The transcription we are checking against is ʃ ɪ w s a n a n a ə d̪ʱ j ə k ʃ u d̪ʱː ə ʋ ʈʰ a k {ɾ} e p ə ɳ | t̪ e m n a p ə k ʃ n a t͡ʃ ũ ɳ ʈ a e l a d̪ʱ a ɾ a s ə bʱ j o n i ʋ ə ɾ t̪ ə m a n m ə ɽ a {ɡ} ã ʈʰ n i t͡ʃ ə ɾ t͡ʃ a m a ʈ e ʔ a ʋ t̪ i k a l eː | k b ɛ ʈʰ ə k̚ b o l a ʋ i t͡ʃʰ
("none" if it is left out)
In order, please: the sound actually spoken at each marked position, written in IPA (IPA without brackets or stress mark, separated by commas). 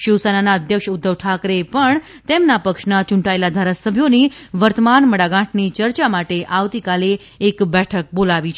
ɾ, ɡ